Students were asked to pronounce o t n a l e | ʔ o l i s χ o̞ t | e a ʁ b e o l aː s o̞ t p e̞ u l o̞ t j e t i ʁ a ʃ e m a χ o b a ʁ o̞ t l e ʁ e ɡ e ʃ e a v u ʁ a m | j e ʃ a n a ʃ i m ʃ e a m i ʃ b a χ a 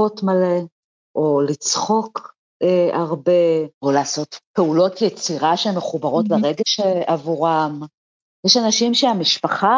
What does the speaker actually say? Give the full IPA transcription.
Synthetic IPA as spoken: o t m a l e | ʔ o l i t͡s χ o̞ k | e a ʁ b e o l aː s o̞ t p e̞ u l o̞ t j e t͡s i ʁ a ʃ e m e χ u b a ʁ o̞ t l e ʁ e ɡ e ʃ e a v u ʁ a m | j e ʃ a n a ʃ i m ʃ e a m i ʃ p a χ a